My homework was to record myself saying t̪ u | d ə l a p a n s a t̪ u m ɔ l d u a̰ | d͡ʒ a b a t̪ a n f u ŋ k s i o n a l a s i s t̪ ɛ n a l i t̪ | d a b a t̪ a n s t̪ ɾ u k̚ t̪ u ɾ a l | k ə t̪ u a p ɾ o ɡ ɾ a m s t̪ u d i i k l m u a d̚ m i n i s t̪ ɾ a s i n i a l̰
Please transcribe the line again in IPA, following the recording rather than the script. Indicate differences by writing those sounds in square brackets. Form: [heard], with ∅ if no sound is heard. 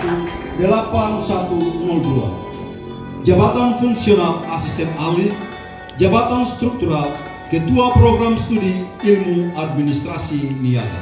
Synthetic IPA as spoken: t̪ u | d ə l a p a n s a t̪ u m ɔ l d u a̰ | d͡ʒ a b a t̪ a n f u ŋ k s i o n a l a s i s t̪ ɛ n a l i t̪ | [d͡ʒ] a b a t̪ a n s t̪ ɾ u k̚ t̪ u ɾ a l | k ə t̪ u a p ɾ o ɡ ɾ a m s t̪ u d i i [∅] l m u a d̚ m i n i s t̪ ɾ a s i n i a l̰